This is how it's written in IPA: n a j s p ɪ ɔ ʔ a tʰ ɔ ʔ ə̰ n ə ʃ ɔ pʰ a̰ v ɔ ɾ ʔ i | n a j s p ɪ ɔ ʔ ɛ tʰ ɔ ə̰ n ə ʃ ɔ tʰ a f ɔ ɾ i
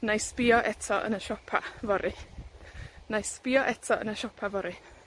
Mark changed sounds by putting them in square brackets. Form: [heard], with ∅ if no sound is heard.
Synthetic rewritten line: n a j s p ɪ ɔ ʔ [ɛ] tʰ ɔ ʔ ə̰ n ə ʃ ɔ pʰ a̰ v ɔ ɾ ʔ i | n a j s p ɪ ɔ ʔ ɛ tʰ ɔ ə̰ n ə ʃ ɔ [pʰ] a [v] ɔ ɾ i

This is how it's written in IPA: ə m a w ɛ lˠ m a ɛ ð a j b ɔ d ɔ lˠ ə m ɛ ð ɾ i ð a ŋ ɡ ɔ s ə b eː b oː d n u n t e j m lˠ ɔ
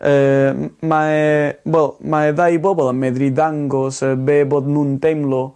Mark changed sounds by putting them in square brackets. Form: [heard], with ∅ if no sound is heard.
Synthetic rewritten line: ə m a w ɛ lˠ m a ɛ ð a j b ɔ [b] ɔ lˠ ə m ɛ ð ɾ i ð a ŋ ɡ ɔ s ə b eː b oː d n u n t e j m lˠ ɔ

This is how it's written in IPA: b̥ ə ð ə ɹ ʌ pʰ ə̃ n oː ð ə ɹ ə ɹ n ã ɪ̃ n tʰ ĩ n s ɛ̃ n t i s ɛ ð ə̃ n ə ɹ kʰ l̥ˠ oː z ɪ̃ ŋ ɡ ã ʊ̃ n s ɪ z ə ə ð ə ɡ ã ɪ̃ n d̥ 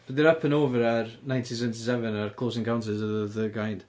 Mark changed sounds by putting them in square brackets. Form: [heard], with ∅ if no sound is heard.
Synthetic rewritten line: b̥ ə ð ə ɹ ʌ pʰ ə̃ n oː [v] ə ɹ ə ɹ n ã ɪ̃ n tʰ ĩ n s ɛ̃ n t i s ɛ [v] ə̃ n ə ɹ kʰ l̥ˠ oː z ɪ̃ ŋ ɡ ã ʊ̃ n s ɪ z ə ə ð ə ɡ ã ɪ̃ n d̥

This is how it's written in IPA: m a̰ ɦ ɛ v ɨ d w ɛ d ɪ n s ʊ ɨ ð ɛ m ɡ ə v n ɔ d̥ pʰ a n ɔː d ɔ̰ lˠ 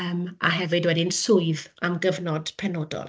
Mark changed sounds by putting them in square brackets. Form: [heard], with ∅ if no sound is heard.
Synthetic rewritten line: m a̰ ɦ ɛ v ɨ d w ɛ d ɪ n s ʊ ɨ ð [a] m ɡ ə v n ɔ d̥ pʰ [ɛ] n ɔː d ɔ̰ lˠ

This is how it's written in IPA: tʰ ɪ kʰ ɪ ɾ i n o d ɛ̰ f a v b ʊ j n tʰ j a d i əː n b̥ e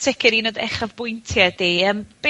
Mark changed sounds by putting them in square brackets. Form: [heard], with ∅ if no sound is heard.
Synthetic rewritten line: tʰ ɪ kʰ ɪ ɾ i n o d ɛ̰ [χ] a v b ʊ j n tʰ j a d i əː [m] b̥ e

